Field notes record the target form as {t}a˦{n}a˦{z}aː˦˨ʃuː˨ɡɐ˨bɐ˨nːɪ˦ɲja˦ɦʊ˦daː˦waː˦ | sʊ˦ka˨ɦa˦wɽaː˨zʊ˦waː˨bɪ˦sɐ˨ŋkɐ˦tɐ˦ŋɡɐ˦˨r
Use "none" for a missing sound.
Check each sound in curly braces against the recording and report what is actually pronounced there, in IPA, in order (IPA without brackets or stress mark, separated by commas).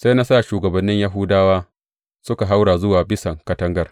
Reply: s, n, s